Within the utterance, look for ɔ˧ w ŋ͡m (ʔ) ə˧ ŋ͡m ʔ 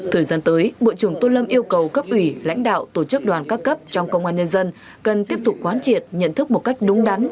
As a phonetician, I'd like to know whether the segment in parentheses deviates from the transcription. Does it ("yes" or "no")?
yes